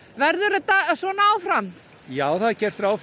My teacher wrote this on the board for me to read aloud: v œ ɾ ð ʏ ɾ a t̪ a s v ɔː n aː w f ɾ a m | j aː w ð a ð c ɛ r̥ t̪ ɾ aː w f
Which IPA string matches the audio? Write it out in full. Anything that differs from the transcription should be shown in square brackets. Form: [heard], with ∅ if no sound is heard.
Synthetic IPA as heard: v [ɛ] ɾ ð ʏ ɾ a t̪ a s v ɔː n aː w f ɾ a m | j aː w [θ] a ð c ɛ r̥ t̪ ɾ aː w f